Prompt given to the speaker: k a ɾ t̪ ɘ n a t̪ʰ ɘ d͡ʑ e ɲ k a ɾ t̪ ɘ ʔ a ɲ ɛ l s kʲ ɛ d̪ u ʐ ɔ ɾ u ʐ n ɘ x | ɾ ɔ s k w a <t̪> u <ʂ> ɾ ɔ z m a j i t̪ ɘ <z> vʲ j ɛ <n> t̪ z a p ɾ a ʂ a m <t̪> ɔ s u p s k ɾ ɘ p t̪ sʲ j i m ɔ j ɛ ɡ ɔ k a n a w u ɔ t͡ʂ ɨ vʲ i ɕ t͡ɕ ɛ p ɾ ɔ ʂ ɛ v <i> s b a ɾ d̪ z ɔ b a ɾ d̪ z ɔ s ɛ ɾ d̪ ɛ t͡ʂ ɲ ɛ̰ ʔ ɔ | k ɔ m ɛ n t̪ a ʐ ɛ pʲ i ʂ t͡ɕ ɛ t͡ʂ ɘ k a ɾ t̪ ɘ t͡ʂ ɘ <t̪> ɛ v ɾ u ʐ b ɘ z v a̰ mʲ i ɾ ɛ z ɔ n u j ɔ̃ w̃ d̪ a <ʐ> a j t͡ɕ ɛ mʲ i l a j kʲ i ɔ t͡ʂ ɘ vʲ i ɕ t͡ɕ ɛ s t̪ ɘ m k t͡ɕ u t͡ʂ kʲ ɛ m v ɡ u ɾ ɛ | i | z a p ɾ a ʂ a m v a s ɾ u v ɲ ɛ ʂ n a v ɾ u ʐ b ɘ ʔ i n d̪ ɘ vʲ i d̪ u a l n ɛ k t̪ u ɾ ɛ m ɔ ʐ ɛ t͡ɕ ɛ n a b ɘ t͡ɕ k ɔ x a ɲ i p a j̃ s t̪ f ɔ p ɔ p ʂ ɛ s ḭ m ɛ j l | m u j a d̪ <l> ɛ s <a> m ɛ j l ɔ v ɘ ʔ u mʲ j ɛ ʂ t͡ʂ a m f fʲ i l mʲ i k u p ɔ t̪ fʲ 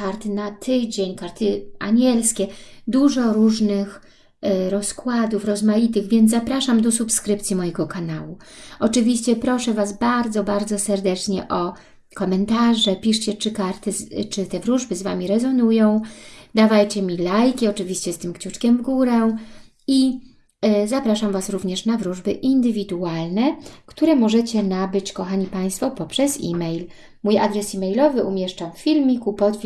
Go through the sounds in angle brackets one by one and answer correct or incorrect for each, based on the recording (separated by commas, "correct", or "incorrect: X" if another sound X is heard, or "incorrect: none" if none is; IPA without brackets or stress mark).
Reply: incorrect: d̪, incorrect: f, incorrect: ɣ, correct, incorrect: d̪, incorrect: a, correct, incorrect: v, incorrect: ɾ, incorrect: i